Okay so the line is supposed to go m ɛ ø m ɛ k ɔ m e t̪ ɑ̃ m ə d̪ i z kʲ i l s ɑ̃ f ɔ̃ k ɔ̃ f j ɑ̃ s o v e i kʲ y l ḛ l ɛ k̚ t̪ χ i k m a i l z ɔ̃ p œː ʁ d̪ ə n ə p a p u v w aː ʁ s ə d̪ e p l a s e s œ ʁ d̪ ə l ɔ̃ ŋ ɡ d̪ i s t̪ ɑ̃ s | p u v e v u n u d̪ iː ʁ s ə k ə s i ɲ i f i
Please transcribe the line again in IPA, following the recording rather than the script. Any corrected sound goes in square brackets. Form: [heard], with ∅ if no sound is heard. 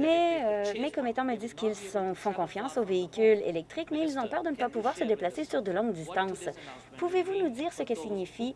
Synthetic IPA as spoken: m ɛ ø m ɛ k ɔ m e t̪ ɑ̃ m ə d̪ i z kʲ i l s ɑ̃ f ɔ̃ k ɔ̃ f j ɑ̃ s o v e i kʲ y l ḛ l ɛ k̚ t̪ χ i k m [ɛ] i l z ɔ̃ p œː ʁ d̪ ə n ə p a p u v w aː ʁ s ə d̪ e p l a s e s [y] ʁ d̪ ə l ɔ̃ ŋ ɡ d̪ i s t̪ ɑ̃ s | p u v e v u n u d̪ iː ʁ s ə k ə s i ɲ i f i